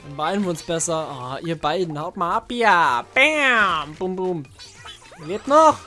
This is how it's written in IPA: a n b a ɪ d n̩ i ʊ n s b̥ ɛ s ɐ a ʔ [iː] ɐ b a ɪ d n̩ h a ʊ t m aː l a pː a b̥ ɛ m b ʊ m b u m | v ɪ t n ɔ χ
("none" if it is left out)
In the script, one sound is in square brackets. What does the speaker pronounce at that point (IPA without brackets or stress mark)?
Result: iː